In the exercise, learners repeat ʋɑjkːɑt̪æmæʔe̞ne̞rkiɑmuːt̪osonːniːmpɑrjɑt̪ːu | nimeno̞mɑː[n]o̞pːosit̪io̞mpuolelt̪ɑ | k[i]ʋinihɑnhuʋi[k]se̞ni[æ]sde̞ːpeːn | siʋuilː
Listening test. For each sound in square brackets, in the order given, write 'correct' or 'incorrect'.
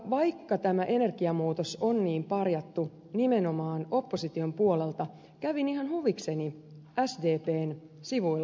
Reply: correct, incorrect: æ, correct, correct

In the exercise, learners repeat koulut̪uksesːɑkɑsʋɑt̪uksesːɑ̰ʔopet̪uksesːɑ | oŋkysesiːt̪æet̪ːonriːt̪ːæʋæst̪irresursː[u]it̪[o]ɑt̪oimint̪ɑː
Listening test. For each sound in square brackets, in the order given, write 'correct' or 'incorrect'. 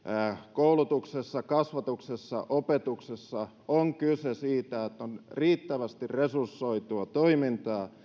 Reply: incorrect: o, incorrect: u

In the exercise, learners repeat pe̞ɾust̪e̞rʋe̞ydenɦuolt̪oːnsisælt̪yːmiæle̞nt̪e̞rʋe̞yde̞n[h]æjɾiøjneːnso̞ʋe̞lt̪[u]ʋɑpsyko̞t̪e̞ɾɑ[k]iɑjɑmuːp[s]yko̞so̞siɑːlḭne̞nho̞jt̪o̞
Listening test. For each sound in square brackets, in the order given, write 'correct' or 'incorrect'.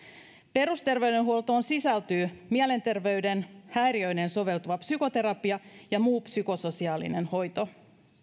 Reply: correct, correct, incorrect: p, correct

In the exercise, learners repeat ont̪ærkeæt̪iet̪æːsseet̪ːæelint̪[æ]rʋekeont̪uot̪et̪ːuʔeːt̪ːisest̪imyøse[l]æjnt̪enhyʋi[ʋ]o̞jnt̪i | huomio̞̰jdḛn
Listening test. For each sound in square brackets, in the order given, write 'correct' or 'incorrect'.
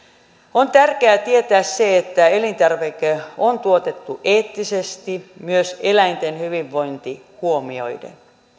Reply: correct, correct, incorrect: ʋː

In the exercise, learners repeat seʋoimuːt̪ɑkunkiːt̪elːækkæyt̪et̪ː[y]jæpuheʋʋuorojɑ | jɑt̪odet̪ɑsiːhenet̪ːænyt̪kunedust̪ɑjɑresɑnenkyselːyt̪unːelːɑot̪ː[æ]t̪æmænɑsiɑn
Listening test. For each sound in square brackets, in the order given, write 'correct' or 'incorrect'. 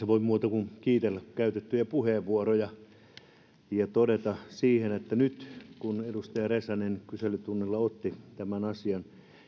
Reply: correct, incorrect: i

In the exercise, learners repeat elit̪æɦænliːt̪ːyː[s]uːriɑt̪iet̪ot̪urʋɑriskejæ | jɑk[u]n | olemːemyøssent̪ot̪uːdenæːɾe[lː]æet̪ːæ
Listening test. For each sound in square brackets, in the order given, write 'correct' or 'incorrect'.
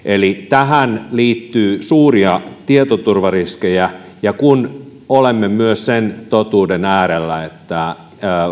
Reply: correct, correct, correct

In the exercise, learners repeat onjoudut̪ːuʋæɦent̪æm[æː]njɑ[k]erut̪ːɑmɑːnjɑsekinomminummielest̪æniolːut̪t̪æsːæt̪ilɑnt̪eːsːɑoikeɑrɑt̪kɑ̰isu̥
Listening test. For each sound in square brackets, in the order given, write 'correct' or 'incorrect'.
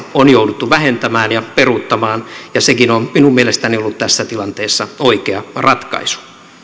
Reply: correct, incorrect: p

